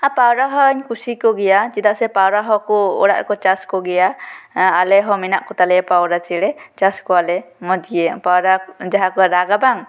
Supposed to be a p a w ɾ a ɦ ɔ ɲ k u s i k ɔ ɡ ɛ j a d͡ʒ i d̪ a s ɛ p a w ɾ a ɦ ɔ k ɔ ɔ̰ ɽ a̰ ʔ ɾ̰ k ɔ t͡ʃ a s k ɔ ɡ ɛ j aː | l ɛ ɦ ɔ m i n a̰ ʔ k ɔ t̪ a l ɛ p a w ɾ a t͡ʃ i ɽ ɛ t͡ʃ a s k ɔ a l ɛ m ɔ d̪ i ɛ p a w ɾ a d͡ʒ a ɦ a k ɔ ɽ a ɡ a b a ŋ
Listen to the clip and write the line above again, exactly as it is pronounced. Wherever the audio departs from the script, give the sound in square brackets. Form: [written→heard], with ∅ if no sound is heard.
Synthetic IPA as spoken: a p a w ɾ a ɦ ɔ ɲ k u s i k ɔ ɡ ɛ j a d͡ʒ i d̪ a s ɛ p a w ɾ a ɦ ɔ k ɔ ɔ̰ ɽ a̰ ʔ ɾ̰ k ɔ t͡ʃ a s k ɔ ɡ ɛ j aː | l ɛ ɦ ɔ m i n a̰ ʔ k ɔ t̪ a l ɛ p a w ɾ a t͡ʃ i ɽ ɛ t͡ʃ a s k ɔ a l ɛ m ɔ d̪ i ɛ p a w ɾ a d͡ʒ a ɦ a k ɔ [ɽ→ɾ] a ɡ a b a ŋ